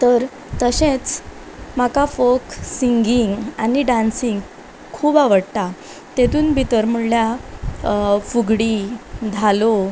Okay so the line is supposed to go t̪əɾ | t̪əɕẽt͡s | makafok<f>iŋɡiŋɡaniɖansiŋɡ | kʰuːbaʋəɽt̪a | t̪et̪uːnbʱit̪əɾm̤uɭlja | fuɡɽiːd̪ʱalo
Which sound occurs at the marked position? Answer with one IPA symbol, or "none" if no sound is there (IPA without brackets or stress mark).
s